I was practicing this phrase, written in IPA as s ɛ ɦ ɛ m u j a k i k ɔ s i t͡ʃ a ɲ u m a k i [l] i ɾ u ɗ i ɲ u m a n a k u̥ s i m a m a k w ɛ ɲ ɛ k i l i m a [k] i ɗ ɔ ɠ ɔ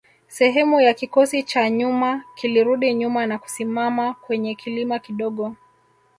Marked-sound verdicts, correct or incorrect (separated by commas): correct, correct